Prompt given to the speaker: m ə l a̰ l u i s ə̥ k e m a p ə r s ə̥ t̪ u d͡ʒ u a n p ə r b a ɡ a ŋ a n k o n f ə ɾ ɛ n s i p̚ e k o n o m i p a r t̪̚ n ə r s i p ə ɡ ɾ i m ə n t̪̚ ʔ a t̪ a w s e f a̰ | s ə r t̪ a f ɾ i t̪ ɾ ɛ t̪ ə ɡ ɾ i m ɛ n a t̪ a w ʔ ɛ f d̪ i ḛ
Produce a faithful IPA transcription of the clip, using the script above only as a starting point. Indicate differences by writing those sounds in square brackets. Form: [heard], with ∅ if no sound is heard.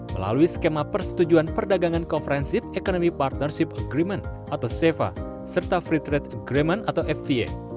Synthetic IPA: m ə l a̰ l u i s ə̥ k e m a p ə r s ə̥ t̪ u d͡ʒ u a n p ə r [d] a ɡ a ŋ a n k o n f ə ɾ ɛ n s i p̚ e k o n o m i p a r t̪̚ n ə r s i p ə ɡ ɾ i m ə n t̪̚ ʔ a t̪ a w s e f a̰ | s ə r t̪ a f ɾ i t̪ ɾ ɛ t̪ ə ɡ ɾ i m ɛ n a t̪ a w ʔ ɛ f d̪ i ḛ